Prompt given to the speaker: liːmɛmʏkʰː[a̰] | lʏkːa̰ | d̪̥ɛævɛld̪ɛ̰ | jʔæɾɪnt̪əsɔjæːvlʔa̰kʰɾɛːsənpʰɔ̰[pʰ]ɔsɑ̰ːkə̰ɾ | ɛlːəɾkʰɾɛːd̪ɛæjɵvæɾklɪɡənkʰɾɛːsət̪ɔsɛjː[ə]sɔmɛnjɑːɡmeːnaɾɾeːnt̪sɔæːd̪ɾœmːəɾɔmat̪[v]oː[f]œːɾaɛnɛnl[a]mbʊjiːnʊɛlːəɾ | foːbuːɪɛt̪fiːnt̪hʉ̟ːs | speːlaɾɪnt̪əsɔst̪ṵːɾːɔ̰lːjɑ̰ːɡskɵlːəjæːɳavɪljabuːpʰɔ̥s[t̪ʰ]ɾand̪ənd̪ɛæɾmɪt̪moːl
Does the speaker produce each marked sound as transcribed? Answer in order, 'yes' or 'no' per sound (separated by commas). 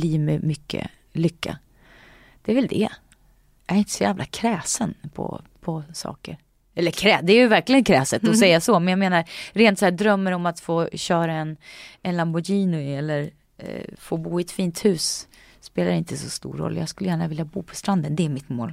no, yes, no, no, no, yes, no